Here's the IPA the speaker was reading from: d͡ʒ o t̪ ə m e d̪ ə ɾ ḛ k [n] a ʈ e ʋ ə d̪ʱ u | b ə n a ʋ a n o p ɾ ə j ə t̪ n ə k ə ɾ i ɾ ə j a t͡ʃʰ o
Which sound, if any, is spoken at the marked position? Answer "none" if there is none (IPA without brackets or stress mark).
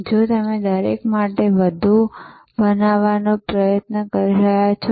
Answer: m